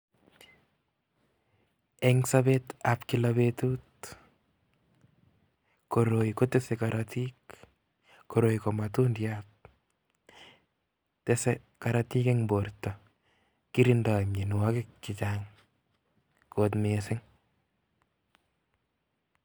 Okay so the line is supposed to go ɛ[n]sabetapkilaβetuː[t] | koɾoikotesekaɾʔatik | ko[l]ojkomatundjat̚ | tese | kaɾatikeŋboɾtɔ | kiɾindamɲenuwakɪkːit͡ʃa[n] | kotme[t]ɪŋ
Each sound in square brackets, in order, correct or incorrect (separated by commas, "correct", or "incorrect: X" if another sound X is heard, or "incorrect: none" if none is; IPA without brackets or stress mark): incorrect: ŋ, correct, incorrect: ɾ, incorrect: ŋ, incorrect: s